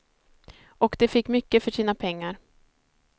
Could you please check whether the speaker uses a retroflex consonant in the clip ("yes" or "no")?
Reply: yes